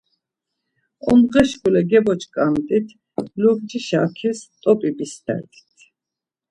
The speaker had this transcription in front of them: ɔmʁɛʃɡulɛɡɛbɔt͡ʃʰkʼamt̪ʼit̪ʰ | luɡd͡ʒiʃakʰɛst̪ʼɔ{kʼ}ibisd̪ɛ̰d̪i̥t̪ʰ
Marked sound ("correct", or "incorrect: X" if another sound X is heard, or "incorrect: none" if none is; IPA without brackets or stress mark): incorrect: pʼ